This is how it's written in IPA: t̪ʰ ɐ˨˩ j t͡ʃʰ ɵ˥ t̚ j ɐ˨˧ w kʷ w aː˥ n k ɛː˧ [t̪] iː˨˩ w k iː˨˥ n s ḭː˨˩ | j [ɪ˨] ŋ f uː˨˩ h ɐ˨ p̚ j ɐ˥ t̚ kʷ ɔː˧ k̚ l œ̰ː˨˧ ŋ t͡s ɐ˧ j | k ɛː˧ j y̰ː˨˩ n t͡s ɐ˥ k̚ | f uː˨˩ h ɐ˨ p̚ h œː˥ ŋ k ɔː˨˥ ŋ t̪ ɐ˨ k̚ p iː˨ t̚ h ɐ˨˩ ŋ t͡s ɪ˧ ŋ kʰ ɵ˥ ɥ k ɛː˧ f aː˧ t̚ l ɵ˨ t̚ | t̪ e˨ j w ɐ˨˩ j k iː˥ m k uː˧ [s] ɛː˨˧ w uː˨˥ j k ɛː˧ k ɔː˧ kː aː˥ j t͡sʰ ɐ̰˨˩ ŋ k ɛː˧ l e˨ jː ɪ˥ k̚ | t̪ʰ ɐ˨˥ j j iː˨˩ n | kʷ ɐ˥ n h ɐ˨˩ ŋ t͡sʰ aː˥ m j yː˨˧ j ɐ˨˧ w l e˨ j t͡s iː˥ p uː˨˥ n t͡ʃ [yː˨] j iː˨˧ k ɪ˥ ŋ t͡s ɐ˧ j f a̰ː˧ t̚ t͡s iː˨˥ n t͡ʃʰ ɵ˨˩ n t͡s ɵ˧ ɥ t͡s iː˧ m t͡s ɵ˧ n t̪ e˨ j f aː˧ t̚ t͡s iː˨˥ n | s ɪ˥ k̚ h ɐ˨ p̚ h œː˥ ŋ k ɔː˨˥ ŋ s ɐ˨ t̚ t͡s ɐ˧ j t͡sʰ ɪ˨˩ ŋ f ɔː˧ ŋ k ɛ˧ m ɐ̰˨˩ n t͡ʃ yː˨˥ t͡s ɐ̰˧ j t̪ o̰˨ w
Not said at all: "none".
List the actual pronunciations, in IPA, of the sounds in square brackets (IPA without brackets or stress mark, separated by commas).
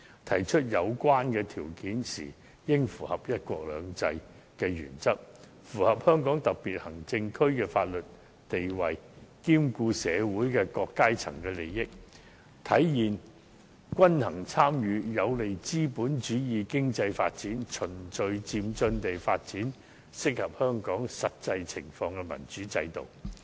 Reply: t̪ʰ, ɪ˥, s, yː˨˥